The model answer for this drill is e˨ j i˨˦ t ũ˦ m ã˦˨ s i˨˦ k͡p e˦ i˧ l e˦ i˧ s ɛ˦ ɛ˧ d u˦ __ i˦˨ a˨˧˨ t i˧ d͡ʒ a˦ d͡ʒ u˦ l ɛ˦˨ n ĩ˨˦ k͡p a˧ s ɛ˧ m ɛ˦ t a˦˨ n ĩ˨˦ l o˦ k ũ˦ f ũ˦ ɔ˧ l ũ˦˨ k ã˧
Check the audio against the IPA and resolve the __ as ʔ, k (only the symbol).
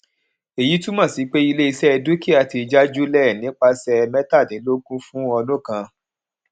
k